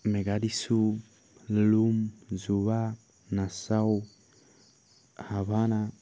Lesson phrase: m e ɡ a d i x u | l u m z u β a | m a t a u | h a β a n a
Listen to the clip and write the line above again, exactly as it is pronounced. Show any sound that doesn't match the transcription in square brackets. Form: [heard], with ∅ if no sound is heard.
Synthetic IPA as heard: m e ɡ a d i [s] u | l u m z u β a | [n] a [s] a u | h a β a n a

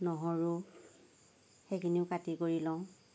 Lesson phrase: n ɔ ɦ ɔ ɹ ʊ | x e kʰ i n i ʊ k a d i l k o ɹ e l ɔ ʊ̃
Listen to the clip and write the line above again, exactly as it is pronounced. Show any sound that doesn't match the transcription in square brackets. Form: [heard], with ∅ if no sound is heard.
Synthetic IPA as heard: n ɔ ɦ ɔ ɹ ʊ | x e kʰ i n i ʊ k a [t] i [∅] k o ɹ [i] l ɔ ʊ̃

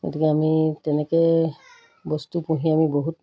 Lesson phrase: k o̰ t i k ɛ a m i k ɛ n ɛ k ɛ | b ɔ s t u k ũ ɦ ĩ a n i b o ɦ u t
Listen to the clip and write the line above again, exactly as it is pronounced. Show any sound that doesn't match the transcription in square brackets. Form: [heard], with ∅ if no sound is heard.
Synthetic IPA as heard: [ɡ] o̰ t i k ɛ a m i [t] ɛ n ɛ k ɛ | b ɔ s t u [p] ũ ɦ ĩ a [m] i b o ɦ u t

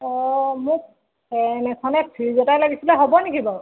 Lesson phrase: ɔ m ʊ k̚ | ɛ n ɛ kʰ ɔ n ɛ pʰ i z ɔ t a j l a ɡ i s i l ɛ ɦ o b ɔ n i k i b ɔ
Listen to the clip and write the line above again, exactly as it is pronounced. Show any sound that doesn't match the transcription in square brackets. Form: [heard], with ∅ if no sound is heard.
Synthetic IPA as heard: ɔ m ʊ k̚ | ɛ n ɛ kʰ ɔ n ɛ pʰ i z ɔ t a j l a ɡ i s i l ɛ ɦ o b ɔ n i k i b ɔ

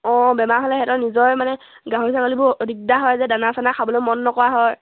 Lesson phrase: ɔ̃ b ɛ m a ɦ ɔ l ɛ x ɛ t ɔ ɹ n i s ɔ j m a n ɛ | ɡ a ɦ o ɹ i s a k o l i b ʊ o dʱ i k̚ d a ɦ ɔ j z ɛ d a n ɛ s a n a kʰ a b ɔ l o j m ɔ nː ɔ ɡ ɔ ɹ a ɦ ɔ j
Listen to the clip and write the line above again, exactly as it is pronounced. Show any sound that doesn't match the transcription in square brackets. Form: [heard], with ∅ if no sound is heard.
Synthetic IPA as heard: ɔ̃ b ɛ m a ɦ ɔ l ɛ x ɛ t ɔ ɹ n i [z] ɔ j m a n ɛ | ɡ a ɦ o ɹ i s a k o l i b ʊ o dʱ i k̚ d a ɦ ɔ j z ɛ d a n [a] s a n a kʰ a b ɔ l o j m ɔ nː ɔ [k] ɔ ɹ a ɦ ɔ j

